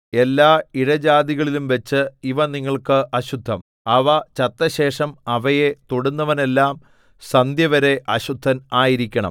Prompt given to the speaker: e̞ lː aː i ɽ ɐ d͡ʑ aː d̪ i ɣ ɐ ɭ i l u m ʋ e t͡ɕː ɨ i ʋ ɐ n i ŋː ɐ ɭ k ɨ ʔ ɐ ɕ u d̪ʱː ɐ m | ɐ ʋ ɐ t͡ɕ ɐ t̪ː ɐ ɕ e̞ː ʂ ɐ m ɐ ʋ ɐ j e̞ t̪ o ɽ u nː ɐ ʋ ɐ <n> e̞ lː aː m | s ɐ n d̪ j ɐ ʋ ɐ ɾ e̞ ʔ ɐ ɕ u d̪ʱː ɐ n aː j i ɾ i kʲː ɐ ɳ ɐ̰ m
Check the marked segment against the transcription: correct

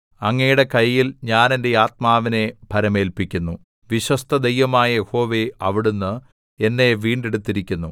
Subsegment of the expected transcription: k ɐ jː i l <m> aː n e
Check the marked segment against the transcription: incorrect: ɲ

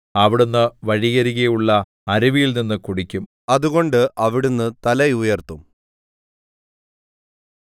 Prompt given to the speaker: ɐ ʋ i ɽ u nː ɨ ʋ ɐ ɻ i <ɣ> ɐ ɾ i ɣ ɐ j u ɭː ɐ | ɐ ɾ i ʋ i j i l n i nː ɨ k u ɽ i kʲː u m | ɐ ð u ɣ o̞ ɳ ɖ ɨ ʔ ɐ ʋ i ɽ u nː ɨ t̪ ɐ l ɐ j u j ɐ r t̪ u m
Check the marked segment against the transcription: correct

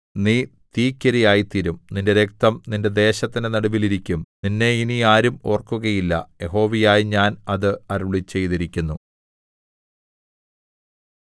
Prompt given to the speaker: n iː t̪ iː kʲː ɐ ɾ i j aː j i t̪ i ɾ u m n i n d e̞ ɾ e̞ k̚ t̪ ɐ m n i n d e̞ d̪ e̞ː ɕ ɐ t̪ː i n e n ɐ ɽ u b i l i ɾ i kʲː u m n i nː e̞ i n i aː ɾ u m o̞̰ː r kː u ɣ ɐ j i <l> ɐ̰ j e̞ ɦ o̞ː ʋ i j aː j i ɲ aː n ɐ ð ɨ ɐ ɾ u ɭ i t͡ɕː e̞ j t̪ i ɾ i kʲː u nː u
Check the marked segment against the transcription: incorrect: lː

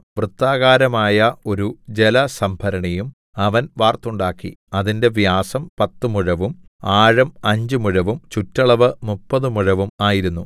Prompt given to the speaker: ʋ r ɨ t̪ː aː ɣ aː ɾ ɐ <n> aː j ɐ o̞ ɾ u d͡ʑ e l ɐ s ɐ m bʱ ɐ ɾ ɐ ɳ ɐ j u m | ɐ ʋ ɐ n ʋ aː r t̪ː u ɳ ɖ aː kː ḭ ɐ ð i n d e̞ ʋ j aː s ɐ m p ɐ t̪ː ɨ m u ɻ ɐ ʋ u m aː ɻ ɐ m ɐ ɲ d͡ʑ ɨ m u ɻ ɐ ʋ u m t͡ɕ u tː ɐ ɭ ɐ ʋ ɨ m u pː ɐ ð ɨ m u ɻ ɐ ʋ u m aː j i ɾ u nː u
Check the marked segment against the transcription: incorrect: m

